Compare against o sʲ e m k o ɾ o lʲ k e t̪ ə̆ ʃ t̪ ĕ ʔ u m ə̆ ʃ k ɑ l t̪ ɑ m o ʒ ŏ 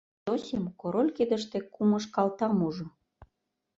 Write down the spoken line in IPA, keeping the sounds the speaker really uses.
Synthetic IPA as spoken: o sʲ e m k o ɾ o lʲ k e d̪ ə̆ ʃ t̪ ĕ k u m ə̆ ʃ k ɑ l t̪ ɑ m u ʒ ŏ